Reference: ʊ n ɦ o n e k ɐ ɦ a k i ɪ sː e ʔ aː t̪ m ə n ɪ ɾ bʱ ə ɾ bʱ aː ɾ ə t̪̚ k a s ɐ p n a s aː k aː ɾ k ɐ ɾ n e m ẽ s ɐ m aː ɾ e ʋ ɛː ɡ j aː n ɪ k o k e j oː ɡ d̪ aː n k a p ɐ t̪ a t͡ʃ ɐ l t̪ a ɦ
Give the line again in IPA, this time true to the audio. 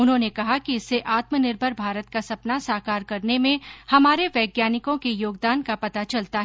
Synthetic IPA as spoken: ʊ n ɦ õ n e k ɐ ɦ a k i ɪ sː e ʔ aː t̪ m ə n ɪ ɾ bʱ ə ɾ bʱ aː ɾ ə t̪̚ k a s ɐ p n a s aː k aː ɾ k ɐ ɾ n e m ẽ h ɐ m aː ɾ e ʋ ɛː ɡ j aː n ɪ k õ k e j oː ɡ d̪ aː n k a p ɐ t̪ a t͡ʃ ɐ l t̪ a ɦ